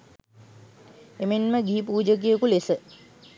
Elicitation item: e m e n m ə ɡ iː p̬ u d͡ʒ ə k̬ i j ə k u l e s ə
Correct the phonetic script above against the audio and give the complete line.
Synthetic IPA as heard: e m e n m ə ɡ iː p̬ uː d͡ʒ ə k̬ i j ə k u l e s ə

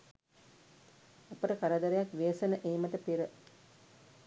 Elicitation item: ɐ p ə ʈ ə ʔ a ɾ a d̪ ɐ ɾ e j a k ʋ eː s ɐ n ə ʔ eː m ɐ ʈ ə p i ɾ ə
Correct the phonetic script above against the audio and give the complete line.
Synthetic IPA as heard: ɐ p ə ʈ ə k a ɾ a d̪ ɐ ɾ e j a k ʋ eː s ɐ n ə ʔ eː m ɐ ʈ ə p i ɾ ə

